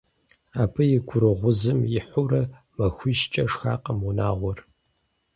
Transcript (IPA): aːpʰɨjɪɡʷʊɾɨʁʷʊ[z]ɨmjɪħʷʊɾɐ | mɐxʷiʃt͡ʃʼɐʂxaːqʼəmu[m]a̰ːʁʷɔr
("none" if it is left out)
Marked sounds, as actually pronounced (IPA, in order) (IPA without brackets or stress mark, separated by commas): z, n